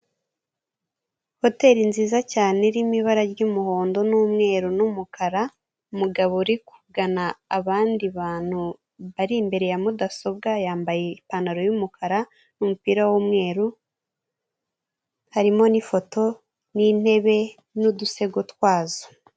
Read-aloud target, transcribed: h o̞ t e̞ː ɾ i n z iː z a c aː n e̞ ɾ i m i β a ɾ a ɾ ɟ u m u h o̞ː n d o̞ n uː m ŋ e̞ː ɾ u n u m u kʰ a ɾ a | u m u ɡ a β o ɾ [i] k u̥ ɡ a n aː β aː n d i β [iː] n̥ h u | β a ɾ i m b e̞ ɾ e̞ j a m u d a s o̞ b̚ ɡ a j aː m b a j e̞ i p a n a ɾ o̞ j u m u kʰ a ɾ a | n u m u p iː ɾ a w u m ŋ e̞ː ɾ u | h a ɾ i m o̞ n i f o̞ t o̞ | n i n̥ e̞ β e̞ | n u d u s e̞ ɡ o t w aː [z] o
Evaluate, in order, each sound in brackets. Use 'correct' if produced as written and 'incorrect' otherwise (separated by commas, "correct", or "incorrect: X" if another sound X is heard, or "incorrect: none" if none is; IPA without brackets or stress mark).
correct, incorrect: aː, correct